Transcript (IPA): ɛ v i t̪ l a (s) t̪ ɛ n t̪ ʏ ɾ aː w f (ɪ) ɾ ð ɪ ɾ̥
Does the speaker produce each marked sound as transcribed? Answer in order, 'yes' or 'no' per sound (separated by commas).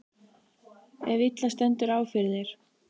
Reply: yes, yes